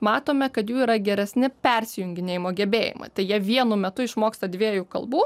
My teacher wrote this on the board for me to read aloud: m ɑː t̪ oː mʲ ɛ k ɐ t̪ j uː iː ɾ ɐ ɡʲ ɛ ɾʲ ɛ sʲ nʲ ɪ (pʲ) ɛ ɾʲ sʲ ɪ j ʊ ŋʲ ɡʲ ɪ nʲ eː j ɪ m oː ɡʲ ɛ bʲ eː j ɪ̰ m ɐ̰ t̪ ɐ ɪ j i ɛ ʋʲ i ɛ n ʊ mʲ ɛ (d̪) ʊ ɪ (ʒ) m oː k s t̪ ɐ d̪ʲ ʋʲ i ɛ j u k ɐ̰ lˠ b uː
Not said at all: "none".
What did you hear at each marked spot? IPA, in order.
pʲ, t̪, ʃ

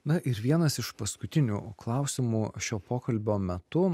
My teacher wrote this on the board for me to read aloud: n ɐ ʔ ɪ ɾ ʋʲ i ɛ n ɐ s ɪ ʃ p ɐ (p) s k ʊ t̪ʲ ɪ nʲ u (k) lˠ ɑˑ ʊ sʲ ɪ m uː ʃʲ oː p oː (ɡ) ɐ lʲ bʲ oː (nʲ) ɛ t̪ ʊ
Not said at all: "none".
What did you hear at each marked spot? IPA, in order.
none, k, k, mʲ

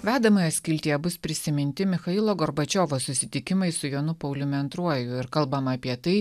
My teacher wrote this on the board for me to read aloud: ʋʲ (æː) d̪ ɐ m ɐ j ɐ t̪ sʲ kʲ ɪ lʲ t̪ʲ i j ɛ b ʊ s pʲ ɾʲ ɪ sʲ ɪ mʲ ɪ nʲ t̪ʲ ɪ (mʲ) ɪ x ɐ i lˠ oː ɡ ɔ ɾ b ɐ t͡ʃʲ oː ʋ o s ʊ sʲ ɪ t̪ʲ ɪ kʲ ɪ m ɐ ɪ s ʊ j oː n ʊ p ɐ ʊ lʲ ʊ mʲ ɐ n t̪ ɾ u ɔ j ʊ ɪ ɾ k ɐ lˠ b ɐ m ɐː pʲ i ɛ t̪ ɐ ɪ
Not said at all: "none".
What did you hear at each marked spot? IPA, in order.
æː, mʲ

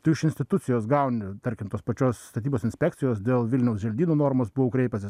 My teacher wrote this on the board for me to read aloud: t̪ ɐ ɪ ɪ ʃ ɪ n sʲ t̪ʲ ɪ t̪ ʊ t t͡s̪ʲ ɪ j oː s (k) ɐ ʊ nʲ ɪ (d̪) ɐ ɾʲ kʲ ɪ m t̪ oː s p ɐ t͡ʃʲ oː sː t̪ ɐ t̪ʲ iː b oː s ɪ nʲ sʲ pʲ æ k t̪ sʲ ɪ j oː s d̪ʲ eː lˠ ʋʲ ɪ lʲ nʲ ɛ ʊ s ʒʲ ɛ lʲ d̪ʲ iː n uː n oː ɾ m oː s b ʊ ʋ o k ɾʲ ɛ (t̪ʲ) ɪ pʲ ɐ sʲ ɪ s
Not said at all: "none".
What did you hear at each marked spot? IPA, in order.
ɡ, t̪, none

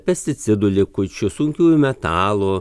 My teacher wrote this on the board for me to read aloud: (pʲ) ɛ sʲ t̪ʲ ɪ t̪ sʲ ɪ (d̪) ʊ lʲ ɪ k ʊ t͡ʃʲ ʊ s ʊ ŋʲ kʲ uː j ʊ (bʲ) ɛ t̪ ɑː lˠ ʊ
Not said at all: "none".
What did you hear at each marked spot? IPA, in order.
pʲ, d̪, mʲ

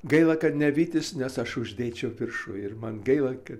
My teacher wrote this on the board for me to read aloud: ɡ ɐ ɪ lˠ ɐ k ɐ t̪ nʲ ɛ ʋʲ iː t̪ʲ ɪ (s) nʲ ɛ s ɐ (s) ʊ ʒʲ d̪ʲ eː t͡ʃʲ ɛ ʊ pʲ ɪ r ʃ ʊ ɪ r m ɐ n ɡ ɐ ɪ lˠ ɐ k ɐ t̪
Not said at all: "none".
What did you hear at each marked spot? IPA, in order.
s, ʃ

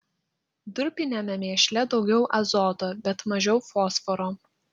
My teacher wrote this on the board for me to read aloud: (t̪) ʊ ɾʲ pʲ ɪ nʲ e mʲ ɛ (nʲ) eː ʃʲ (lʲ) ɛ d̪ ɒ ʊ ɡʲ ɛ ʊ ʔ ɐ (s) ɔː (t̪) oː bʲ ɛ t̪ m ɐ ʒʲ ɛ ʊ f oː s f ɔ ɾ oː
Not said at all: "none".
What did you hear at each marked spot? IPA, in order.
d̪, mʲ, lʲ, z, t̪

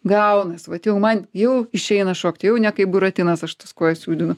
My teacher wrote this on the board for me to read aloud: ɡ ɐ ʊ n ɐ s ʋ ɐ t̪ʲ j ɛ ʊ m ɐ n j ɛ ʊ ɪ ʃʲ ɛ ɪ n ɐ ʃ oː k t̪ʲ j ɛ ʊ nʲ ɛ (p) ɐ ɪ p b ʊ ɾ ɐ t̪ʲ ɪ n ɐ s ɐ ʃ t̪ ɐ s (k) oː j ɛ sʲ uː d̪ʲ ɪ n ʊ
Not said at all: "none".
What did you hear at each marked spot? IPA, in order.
k, k

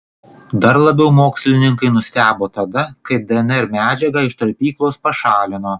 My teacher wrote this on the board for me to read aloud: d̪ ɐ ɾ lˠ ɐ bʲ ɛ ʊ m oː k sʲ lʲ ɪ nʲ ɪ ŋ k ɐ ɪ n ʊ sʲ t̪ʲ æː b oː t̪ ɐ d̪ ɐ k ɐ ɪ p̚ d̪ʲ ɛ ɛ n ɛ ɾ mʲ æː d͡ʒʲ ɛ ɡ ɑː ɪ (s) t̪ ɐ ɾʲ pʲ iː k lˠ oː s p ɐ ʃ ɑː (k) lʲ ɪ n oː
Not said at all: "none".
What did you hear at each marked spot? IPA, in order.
ʃ, none

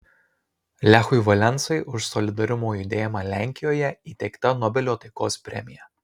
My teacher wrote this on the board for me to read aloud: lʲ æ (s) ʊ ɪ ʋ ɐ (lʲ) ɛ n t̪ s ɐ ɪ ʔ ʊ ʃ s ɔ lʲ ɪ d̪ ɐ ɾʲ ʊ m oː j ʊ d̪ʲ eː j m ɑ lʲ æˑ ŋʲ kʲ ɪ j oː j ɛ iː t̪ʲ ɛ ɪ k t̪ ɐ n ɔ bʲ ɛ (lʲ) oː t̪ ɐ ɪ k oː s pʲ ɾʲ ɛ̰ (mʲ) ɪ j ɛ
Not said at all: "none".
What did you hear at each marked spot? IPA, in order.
x, lʲ, lʲ, mʲ

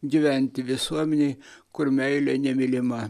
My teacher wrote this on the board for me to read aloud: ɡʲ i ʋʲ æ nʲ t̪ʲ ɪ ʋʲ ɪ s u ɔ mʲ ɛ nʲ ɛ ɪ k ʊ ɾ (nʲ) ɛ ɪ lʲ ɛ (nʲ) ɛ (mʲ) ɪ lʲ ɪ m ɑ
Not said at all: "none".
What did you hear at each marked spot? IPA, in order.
mʲ, nʲ, mʲ

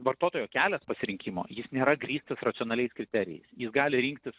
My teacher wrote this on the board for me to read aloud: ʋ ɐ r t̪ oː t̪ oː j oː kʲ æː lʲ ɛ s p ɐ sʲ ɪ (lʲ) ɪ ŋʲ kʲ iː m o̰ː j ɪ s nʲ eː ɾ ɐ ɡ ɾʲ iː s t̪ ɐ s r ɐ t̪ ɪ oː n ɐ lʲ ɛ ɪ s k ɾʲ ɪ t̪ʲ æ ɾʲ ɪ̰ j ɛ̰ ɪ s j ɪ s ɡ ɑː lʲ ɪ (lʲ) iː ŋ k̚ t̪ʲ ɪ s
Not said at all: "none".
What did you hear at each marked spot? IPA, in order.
ɾʲ, ɾʲ

